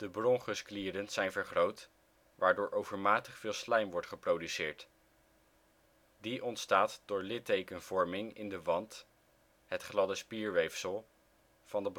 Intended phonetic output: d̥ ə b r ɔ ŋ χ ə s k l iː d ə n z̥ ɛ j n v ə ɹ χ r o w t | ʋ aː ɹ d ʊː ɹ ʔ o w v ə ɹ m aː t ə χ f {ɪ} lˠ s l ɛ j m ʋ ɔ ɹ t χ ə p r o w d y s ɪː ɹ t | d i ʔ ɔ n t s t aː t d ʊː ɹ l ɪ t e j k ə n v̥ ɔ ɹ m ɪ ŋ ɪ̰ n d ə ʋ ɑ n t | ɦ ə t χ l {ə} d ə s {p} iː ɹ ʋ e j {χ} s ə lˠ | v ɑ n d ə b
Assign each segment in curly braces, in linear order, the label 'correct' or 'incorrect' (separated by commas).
incorrect, incorrect, correct, incorrect